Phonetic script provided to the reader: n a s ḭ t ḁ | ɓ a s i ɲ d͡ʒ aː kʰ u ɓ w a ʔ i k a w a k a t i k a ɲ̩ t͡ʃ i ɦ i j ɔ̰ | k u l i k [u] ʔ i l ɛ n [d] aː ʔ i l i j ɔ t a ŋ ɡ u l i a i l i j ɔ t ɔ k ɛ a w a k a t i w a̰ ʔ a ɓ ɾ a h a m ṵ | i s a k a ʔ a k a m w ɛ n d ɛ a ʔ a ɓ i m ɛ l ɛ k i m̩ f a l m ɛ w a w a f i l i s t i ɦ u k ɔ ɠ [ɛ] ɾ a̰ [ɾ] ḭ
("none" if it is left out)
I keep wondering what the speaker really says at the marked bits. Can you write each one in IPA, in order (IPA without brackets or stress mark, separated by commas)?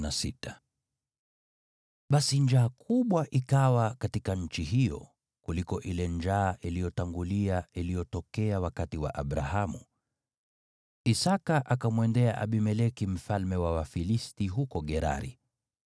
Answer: ɔ, d͡ʒ, ɛ, ɾ